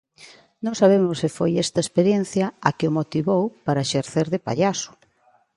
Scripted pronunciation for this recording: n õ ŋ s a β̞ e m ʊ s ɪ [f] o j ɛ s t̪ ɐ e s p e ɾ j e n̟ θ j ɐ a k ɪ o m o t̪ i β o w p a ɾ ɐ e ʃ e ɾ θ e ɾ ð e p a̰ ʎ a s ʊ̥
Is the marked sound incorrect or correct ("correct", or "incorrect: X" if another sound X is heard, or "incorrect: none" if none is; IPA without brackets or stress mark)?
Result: correct